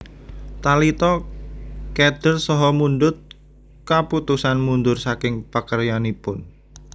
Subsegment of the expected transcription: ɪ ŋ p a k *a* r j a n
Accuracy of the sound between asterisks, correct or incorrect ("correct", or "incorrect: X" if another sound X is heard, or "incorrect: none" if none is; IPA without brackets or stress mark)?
incorrect: ə